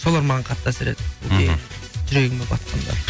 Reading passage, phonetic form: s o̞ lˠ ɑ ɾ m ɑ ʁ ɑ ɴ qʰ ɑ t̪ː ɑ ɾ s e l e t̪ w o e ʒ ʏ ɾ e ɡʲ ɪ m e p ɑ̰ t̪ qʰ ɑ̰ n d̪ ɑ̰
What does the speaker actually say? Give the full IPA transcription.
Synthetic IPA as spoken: s o̞ lˠ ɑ ɾ m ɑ ʁ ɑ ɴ qʰ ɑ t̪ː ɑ s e ɾ e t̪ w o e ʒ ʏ ɾ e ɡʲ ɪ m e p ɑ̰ t̪ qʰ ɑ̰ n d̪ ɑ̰